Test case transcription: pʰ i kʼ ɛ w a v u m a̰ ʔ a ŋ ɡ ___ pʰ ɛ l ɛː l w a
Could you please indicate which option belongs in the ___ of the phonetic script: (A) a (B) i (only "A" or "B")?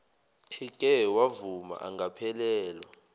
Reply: A